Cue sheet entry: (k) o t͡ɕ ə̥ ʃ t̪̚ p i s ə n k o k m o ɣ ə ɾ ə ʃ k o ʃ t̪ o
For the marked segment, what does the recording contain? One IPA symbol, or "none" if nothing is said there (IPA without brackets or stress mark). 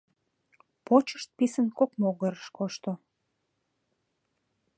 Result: p